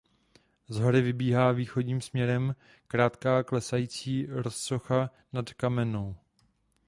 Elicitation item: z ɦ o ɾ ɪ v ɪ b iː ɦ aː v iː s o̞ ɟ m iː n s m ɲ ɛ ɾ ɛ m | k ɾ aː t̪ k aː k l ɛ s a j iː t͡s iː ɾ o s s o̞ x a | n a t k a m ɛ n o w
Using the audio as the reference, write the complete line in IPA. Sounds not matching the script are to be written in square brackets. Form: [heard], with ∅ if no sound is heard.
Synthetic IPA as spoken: z ɦ o ɾ ɪ v ɪ b iː ɦ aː v iː [x] o̞ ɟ [ɲ] iː [m] s m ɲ ɛ ɾ ɛ m | k ɾ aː t̪ k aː k l ɛ s a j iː t͡s iː ɾ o s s o̞ x a | n a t k a m ɛ n o w